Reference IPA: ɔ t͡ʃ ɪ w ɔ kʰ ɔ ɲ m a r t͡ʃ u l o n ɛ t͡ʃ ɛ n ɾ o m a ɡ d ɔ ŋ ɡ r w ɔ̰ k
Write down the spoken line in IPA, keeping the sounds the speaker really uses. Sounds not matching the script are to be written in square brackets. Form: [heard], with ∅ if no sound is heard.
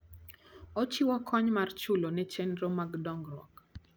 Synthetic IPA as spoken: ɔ t͡ʃ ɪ w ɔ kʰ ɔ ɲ m a r t͡ʃ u l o n ɛ t͡ʃ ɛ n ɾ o m a ɡ d ɔ ŋ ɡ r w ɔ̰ k